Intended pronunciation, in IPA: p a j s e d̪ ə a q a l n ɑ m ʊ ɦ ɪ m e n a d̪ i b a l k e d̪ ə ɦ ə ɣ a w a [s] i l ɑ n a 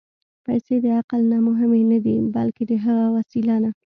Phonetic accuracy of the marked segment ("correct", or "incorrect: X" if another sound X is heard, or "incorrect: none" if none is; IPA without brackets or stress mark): correct